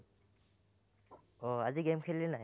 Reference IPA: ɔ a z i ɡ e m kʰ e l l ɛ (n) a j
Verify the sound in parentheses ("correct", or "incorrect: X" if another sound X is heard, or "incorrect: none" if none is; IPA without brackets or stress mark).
correct